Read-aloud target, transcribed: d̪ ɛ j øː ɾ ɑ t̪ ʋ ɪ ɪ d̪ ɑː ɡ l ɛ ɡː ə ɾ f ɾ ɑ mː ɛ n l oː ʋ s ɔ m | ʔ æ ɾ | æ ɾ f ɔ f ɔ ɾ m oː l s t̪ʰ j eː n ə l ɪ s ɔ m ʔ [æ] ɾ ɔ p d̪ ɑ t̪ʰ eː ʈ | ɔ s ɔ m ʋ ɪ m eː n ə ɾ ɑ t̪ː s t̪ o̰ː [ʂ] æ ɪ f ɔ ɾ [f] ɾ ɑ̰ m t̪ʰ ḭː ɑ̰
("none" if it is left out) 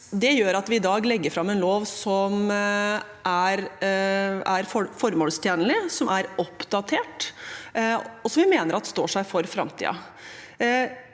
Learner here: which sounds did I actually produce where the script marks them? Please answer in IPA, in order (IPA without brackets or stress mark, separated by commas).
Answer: æ, ʂ, f